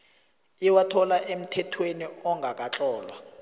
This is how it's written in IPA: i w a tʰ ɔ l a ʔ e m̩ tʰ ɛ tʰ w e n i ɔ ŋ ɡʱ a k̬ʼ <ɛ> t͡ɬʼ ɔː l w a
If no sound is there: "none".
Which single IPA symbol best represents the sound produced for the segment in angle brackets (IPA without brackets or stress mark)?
a